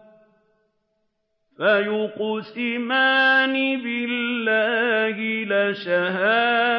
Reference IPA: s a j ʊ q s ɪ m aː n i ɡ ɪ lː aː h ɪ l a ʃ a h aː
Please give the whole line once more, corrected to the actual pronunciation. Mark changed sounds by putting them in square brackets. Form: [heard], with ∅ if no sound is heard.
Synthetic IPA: [f] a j ʊ q s ɪ m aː n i [b] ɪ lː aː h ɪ l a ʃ a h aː